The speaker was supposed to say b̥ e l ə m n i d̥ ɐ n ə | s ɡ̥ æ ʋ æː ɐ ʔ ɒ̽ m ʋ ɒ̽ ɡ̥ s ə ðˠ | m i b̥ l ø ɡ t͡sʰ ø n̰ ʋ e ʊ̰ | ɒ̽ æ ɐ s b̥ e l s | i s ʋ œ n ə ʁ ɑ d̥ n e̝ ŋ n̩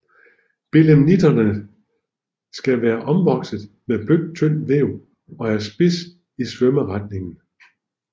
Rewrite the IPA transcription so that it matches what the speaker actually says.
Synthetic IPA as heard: b̥ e l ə m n i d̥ ɐ n ə | s ɡ̥ æ ʋ æː ɐ ʔ ɒ̽ m ʋ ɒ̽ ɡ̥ s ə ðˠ | m e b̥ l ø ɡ t͡sʰ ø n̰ ʋ e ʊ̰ | ɒ̽ æ ɐ s b̥ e s | i s ʋ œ m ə ʁ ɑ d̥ n e̝ ŋ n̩